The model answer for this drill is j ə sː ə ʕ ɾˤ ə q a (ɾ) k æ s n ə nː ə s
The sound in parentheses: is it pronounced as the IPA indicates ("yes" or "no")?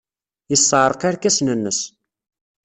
yes